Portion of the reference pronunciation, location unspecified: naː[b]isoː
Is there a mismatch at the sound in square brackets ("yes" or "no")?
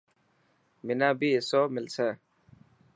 no